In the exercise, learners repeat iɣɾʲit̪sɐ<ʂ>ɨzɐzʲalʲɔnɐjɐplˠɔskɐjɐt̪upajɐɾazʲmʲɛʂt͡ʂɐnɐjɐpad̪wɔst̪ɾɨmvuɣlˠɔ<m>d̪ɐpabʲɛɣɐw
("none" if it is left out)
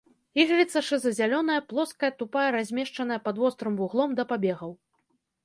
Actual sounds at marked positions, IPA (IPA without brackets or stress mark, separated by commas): ʂ, m